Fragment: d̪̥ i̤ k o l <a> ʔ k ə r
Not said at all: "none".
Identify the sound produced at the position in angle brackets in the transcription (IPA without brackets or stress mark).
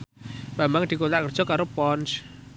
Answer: a